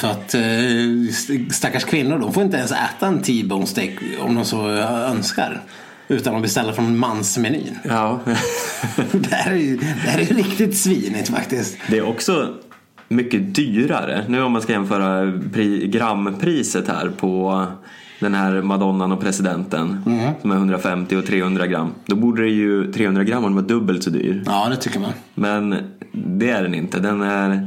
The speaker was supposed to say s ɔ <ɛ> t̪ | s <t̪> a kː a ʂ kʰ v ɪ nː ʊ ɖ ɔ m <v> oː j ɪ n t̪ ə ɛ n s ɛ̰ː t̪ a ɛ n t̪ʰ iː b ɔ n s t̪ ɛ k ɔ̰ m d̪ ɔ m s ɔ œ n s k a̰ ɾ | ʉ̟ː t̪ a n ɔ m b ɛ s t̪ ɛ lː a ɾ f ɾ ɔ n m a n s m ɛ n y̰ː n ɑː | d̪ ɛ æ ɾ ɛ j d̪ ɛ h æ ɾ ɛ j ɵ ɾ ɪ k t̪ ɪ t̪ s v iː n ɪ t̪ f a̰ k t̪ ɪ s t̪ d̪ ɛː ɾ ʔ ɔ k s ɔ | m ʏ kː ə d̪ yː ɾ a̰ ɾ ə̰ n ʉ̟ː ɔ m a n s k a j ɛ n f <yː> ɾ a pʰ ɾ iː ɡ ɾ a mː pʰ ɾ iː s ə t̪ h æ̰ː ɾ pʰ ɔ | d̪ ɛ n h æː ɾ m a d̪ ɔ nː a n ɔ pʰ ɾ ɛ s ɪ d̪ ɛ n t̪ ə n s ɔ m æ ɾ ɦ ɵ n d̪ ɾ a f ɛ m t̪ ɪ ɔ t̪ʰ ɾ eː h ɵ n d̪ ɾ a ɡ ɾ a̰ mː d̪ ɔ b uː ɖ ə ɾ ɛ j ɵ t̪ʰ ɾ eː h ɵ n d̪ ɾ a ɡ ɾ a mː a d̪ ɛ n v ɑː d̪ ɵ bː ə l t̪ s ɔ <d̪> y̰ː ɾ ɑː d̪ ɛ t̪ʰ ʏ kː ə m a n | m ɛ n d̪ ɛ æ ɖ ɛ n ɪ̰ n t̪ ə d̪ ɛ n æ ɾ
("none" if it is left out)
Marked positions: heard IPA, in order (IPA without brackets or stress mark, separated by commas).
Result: a, t̪, f, œː, d̪